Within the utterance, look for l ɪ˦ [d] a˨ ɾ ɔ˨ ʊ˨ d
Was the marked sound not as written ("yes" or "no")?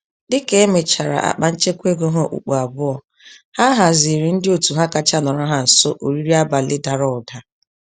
no